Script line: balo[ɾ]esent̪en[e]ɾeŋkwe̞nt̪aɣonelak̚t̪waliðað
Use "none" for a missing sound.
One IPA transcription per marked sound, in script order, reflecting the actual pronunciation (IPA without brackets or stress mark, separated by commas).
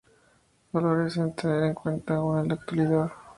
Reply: ɾ, e